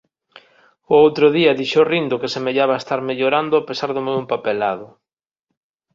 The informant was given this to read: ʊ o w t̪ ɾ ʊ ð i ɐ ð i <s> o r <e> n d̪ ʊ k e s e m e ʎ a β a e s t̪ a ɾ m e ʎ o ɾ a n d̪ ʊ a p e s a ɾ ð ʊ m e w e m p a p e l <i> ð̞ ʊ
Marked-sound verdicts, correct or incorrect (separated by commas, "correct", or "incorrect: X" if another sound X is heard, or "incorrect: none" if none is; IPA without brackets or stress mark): incorrect: ʃ, incorrect: i, incorrect: a